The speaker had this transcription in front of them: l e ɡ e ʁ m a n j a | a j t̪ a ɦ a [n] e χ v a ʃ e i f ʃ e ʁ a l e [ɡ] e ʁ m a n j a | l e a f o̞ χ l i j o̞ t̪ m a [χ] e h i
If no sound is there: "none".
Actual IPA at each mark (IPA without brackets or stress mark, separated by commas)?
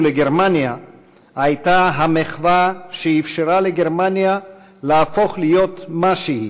m, ɡ, ʃ